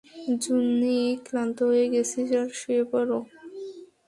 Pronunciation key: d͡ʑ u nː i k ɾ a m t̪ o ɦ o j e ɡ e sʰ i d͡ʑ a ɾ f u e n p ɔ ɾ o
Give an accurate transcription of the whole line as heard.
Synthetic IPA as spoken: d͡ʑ u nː i k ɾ a n t̪ o ɦ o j e ɡ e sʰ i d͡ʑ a ɾ ʃ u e p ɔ ɾ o

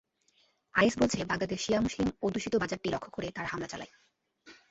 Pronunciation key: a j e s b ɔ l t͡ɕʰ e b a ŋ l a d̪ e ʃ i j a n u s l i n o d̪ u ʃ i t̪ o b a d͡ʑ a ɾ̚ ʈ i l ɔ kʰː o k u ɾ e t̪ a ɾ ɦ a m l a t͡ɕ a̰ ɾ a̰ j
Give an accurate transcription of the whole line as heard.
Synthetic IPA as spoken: a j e s b o l t͡ɕʰ e b a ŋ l a d̪ e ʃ i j a m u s l i m o d̪ u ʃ i t̪ o b a d͡ʑ a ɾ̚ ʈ i l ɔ kʰː o k o ɾ e t̪ a ɾ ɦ a m l a t͡ɕ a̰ l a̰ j

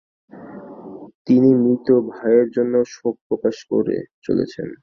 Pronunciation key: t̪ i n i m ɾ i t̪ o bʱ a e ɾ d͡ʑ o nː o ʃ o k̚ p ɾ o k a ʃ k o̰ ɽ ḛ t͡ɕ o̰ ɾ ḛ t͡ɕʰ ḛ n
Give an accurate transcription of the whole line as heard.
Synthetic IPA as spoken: t̪ i n i m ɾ i t̪ o bʱ a e ɾ d͡ʑ o nː o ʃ o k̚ p ɾ o k a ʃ k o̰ ɾ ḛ t͡ɕ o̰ l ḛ t͡ɕʰ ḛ n

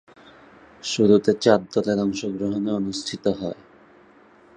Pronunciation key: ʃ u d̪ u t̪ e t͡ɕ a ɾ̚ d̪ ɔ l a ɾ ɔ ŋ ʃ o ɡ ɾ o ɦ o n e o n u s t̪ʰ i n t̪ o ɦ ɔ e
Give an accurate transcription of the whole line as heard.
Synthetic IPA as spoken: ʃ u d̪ u t̪ e t͡ɕ a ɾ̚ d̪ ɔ l e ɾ ɔ ŋ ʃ o ɡ ɾ o ɦ o n e o n u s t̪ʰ i t̪ o ɦ ɔ e

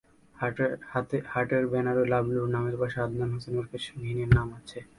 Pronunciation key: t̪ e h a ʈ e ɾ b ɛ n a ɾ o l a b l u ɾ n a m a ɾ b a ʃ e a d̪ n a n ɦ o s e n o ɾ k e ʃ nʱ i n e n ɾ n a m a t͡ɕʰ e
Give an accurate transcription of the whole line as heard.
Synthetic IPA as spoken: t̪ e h a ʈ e ɾ b ɛ n a ɾ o l a b l u ɾ n a m e ɾ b a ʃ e a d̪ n a n ɦ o s e n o ɾ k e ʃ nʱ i n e ɾ n a m a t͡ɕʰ e

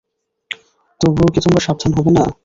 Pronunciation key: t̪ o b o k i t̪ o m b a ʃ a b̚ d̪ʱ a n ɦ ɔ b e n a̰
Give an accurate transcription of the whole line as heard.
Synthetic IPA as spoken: t̪ o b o k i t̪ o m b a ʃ a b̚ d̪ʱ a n ɦ ɔ b e n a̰

